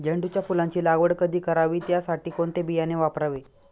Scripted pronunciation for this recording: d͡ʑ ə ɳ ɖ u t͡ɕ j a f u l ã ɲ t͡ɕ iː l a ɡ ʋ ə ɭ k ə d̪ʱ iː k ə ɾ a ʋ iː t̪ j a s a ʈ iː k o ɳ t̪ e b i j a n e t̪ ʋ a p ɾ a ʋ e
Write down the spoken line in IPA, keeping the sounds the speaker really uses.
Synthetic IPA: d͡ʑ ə ɳ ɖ u t͡ɕ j a f u l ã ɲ t͡ɕ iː l a ɡ ʋ ə ɽ k ə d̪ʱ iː k ə ɾ a ʋ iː t̪ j a s a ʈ iː k o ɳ t̪ e b i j a n e ʋ a p ɾ a ʋ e